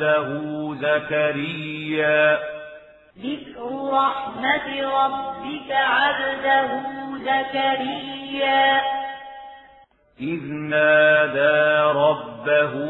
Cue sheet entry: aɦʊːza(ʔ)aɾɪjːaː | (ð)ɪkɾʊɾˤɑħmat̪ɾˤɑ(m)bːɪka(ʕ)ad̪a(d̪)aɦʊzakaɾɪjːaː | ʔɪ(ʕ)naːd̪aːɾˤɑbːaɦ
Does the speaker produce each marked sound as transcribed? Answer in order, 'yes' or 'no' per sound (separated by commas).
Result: no, yes, no, yes, yes, no